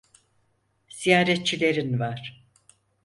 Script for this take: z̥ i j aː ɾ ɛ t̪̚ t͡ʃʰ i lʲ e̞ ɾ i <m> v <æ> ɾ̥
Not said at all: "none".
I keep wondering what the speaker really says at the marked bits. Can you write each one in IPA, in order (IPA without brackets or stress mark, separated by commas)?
n, a